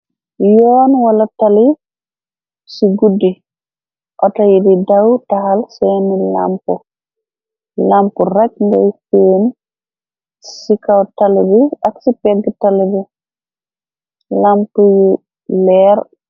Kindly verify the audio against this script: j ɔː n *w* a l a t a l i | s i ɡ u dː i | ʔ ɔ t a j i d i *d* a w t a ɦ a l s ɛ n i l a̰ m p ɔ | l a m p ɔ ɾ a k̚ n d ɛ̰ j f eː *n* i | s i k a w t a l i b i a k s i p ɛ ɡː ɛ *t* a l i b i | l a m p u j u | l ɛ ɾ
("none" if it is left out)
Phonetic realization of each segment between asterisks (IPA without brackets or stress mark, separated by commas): w, d, n, t